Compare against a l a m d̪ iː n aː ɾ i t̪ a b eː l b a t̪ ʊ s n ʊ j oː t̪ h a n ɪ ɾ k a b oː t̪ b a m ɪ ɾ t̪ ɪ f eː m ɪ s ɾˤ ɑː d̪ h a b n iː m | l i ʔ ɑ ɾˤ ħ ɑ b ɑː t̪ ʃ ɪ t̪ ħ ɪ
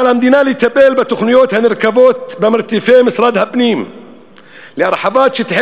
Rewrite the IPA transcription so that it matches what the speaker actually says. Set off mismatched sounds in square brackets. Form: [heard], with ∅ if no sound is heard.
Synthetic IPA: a l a m d̪ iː n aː [l] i t̪ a b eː l b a t̪ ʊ [x] n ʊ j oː t̪ h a n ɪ ɾ k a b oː t̪ b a m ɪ ɾ t̪ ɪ f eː m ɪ s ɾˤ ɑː d̪ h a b n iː m | l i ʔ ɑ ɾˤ ħ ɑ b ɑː t̪ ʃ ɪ t̪ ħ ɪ